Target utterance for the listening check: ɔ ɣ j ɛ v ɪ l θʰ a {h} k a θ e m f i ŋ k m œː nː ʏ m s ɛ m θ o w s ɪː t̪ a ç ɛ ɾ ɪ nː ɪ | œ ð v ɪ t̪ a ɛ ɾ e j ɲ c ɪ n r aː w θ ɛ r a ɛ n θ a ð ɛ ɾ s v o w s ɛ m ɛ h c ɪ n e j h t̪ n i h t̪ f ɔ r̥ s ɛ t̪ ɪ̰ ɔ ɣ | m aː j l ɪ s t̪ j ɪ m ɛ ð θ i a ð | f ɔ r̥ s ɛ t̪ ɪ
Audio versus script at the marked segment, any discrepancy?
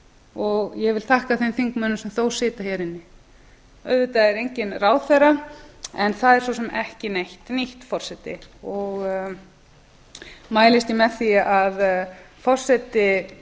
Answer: no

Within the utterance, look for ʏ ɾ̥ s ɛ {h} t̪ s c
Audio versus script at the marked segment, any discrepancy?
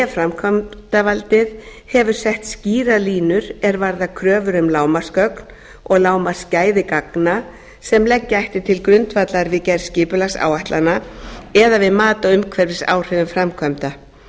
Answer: no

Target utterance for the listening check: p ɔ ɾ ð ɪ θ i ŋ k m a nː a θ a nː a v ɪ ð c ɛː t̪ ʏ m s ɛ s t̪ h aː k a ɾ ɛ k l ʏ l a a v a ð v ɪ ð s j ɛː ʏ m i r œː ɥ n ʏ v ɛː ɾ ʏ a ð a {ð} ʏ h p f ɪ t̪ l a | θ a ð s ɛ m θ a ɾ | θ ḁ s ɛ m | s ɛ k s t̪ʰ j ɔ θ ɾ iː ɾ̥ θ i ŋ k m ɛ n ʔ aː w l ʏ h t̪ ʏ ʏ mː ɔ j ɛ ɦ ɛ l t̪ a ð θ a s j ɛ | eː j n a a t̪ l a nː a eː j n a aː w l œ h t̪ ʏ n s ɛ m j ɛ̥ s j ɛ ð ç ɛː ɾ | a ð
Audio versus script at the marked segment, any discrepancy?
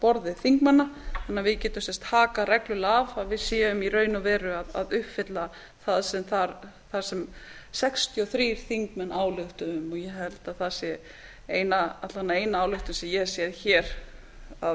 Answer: no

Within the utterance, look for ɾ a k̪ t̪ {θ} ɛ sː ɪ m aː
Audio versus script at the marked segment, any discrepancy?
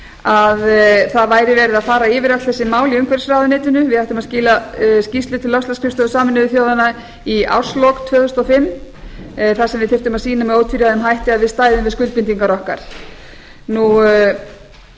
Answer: no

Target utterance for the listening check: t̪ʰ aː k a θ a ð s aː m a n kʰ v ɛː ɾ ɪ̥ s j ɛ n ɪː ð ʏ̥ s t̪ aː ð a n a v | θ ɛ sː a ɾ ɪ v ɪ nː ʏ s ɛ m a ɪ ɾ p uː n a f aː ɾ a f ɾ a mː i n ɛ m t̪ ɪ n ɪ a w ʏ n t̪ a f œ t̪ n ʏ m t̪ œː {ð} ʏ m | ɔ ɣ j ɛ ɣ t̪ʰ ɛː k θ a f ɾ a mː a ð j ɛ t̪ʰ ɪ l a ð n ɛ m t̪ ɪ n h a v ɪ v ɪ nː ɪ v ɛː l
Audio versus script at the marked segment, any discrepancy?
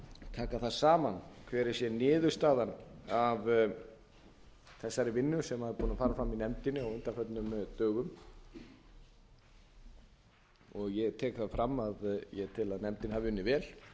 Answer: yes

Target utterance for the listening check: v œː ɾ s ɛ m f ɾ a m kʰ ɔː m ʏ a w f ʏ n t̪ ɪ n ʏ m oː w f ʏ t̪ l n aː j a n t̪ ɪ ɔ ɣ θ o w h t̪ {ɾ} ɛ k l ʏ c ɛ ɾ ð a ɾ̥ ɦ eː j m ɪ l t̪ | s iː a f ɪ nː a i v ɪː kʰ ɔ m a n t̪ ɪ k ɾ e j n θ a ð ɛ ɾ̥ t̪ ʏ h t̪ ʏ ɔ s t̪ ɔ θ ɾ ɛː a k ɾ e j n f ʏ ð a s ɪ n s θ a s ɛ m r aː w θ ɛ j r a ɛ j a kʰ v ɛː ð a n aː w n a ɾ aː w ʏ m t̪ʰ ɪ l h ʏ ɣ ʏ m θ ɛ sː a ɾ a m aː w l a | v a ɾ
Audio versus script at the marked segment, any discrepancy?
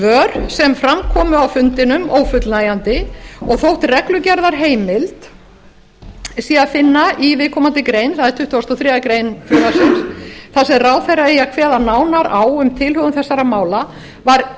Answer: yes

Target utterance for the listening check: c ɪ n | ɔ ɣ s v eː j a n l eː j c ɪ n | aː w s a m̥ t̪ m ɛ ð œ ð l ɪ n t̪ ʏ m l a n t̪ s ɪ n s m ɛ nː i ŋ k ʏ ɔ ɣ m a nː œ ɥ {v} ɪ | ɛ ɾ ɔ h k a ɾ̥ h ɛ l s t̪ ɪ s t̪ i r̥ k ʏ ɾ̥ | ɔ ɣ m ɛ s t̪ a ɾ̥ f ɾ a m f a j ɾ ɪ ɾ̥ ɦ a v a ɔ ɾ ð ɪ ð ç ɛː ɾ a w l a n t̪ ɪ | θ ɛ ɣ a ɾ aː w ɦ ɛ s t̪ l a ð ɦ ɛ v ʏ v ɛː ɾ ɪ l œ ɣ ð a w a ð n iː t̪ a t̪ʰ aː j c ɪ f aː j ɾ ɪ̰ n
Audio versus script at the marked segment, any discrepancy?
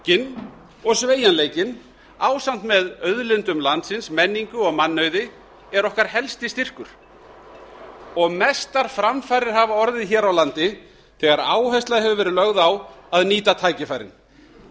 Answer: yes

